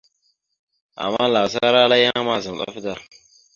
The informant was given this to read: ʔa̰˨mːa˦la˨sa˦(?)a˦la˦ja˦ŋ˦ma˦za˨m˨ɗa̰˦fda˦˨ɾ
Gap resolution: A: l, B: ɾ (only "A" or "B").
B